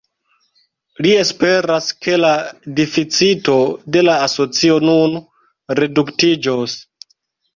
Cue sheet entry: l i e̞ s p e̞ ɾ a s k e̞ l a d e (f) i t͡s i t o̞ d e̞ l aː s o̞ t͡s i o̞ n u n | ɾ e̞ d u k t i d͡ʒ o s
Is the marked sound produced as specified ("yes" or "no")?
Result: yes